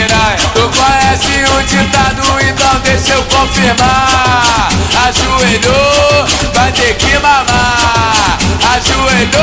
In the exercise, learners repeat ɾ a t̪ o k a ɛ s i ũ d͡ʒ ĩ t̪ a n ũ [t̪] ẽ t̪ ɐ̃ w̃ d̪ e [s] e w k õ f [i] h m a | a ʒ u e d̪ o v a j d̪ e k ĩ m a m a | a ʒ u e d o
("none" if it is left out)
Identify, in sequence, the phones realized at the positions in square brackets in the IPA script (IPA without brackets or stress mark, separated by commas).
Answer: none, ʃ, i